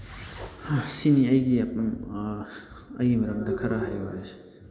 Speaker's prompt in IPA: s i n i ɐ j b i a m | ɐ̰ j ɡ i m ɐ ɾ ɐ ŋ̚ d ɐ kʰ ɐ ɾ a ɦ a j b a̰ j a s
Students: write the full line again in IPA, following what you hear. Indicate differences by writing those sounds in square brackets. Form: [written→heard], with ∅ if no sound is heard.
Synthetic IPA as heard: s i n i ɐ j [b→ɡ] i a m | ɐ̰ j ɡ i m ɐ ɾ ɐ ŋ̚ d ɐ kʰ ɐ ɾ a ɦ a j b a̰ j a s